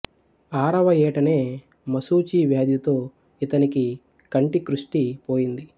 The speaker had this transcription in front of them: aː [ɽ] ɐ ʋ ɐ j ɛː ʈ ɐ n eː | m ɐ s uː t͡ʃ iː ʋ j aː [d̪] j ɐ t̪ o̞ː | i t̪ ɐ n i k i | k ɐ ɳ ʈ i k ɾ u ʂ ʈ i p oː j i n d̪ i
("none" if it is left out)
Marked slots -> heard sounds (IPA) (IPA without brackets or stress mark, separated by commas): ɾ, d̪